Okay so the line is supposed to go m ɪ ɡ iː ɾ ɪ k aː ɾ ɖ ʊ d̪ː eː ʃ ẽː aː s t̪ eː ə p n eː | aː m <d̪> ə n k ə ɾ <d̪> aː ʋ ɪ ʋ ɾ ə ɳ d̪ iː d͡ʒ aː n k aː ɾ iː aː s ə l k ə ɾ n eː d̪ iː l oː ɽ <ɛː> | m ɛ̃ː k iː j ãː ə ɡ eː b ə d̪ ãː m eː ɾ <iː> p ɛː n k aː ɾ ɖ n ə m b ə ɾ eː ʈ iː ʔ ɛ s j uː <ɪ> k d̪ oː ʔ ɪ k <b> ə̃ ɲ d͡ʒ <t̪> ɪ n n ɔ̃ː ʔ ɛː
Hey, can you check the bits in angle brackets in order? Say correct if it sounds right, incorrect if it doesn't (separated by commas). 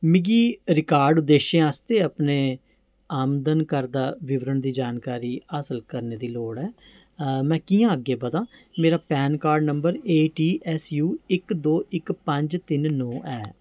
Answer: correct, correct, correct, incorrect, correct, incorrect, correct